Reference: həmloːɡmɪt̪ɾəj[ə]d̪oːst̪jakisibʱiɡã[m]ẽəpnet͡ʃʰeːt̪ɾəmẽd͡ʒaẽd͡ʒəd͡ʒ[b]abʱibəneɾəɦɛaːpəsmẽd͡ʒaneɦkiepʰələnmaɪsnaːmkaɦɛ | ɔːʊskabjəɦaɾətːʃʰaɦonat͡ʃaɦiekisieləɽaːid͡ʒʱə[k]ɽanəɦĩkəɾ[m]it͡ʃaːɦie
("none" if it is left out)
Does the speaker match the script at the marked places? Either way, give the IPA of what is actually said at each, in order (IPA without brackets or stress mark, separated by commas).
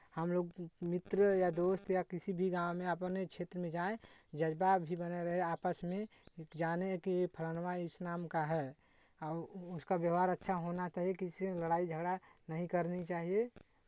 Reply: a, m, b, ɡ, n